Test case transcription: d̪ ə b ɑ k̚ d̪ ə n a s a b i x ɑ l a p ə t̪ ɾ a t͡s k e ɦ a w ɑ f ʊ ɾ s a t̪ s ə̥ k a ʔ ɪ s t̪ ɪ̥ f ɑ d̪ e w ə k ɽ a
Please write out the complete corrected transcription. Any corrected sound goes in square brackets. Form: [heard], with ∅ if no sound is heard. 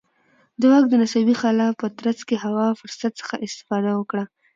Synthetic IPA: d̪ ə [w] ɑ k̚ d̪ ə n a s a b i x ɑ l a p ə t̪ ɾ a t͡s k e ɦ a w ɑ f ʊ ɾ s a t̪ s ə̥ [x] a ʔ ɪ s t̪ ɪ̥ f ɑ d̪ [a] w ə k ɽ a